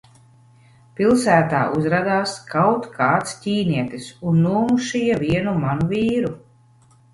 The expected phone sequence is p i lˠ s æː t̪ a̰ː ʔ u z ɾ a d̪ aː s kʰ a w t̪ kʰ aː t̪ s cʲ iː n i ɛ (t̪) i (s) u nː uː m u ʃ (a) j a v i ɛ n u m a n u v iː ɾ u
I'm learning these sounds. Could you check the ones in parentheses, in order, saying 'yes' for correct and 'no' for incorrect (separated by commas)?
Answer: yes, yes, no